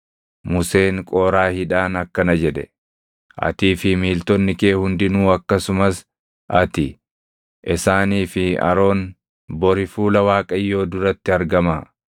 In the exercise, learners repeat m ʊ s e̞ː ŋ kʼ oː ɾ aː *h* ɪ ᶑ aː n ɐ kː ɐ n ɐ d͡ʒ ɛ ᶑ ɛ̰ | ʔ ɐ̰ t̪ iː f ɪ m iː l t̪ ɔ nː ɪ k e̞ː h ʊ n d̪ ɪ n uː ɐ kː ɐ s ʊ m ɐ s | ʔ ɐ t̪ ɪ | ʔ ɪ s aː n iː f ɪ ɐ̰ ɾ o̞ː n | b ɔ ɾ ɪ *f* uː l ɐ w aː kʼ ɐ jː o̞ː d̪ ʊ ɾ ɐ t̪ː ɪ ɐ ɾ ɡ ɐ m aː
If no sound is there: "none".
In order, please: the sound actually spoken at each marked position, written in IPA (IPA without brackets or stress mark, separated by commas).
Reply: h, f